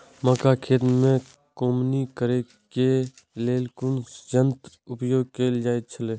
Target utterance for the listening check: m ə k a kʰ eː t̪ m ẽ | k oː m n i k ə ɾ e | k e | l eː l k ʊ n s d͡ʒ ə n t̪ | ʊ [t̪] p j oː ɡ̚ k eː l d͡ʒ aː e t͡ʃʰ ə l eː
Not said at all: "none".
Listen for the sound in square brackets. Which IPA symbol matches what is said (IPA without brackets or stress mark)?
none